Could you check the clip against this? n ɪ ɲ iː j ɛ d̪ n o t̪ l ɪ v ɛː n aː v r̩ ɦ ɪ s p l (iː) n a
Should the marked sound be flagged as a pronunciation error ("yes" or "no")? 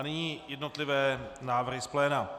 yes